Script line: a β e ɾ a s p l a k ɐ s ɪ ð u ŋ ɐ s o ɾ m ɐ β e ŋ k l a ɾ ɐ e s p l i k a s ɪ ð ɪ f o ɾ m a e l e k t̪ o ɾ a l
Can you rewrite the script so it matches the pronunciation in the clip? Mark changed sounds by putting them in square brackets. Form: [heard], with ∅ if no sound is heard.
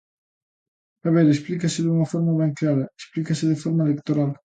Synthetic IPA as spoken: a β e ɾ [e] s p l [i] k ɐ s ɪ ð u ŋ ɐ [f] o ɾ m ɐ β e ŋ k l a ɾ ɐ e s p l i k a s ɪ ð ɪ f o ɾ m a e l e k t̪ o ɾ a l